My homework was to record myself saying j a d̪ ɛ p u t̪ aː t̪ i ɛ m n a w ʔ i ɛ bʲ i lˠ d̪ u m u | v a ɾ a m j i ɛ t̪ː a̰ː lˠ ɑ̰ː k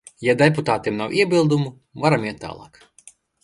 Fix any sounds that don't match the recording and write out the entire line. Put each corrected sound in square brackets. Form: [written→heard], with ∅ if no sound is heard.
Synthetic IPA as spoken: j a d̪ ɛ p u t̪ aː t̪ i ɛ m n a w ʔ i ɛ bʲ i lˠ d̪ u m u | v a ɾ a m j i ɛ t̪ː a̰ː lˠ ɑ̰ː k

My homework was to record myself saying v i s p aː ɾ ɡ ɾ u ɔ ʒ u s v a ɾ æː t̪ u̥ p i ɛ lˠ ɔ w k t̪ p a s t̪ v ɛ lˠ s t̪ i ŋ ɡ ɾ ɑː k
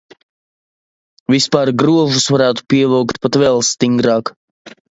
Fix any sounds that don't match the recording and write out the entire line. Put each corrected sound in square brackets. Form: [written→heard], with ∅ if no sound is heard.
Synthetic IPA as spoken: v i s p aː ɾ ɡ ɾ u ɔ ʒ u s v a ɾ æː t̪ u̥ p i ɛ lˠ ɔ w k t̪ p a [s→∅] t̪ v ɛ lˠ s t̪ i ŋ ɡ ɾ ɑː k

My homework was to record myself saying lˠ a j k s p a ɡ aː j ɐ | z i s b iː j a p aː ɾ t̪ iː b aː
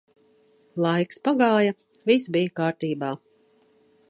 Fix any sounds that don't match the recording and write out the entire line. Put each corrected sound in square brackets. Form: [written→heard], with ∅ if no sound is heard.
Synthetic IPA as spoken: lˠ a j k s p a ɡ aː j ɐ | [z→v] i s b [iː→i] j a [p→k] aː ɾ t̪ iː b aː

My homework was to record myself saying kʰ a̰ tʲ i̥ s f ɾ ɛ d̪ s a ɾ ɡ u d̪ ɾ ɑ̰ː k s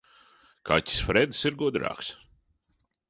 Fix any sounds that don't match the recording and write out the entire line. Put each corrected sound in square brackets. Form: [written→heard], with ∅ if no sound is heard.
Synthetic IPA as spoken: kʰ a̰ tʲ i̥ s f ɾ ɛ d̪ s [a→i] ɾ ɡ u d̪ ɾ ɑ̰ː k s

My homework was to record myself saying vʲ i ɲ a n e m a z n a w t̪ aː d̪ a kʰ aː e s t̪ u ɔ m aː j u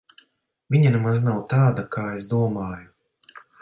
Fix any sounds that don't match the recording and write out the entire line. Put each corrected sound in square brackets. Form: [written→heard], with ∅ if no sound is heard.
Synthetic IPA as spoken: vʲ i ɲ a n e m a z n a w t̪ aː d̪ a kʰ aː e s [t̪→d̪] u ɔ m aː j u

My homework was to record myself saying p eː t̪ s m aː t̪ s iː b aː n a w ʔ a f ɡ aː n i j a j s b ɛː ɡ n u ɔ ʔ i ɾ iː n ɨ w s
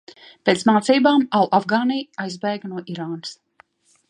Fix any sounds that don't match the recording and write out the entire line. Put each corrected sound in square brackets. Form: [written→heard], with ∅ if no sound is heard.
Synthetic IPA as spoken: p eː t̪ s m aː t̪ s iː b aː [n→m] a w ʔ a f ɡ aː n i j a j [s→z] b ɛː ɡ n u ɔ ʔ i ɾ [iː→aː] n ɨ [w→∅] s

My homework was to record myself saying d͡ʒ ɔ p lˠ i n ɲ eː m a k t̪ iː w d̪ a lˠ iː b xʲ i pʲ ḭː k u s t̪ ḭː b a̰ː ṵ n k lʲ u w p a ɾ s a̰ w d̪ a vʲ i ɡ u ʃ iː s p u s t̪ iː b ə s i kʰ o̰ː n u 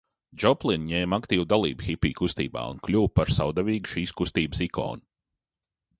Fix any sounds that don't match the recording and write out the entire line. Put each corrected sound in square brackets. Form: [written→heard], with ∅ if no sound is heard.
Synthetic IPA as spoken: d͡ʒ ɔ p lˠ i n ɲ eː m a k t̪ iː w d̪ a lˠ iː b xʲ i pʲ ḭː k u s t̪ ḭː b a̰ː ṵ n k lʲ u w p a ɾ s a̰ w d̪ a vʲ [i→iː] ɡ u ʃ iː s [p→k] u s t̪ iː b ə s i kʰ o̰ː n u

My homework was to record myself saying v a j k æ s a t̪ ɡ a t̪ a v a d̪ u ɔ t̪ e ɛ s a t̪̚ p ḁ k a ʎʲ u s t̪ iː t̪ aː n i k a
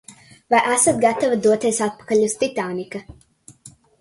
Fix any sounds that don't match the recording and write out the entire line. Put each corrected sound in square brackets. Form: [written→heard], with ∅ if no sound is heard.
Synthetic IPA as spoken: v a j [k→ʔ] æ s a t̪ ɡ a t̪ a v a d̪ u ɔ t̪ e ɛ s a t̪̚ p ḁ k a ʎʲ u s t̪ [iː→i] t̪ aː n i k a

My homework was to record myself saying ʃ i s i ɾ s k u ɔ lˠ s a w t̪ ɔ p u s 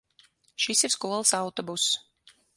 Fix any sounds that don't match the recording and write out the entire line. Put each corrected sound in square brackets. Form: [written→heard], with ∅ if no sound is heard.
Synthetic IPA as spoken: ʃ i s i ɾ s k u ɔ lˠ s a w t̪ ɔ [p→b] u s

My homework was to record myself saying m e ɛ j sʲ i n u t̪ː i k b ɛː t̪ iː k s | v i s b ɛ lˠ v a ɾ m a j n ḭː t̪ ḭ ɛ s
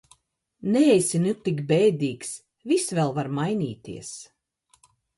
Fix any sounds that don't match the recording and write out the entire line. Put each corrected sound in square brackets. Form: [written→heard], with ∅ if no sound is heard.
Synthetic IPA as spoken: [m→n] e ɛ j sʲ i n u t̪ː i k b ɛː [t̪→d̪] iː k s | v i s [b→v] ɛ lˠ v a ɾ m a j n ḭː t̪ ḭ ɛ s

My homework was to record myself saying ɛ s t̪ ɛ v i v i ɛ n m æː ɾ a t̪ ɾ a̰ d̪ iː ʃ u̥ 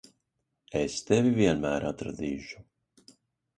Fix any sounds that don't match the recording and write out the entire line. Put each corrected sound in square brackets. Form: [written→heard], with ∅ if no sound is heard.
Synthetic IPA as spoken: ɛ s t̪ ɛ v i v i ɛ n m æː ɾ a t̪ ɾ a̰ d̪ iː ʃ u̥

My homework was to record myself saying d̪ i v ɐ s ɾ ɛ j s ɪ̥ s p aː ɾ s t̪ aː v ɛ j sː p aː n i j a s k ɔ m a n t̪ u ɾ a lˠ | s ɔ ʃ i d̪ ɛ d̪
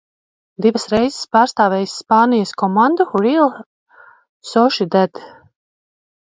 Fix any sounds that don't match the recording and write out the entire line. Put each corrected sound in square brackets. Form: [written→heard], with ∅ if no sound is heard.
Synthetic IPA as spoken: d̪ i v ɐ s ɾ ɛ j [s→z] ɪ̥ s p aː ɾ s t̪ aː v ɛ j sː p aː n i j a s k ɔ m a n [t̪→d̪] u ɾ [a→i] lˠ | s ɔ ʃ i d̪ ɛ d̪

